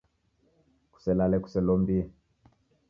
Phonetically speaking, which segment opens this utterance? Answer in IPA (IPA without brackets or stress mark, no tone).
k